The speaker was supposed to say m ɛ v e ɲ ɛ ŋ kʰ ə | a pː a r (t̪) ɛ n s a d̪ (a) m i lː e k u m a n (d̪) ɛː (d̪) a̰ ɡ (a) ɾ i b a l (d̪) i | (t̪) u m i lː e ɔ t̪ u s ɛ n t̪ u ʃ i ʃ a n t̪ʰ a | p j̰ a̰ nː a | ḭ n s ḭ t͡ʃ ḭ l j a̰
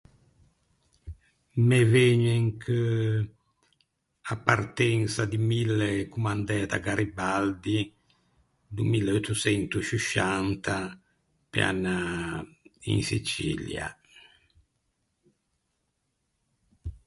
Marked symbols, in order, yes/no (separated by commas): yes, no, yes, no, yes, yes, no